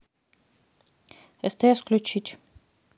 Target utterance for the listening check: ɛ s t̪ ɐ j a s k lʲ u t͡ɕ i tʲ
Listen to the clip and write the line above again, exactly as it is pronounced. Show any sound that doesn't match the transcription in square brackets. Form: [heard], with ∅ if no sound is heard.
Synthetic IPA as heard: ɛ s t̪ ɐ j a s k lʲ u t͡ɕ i tʲ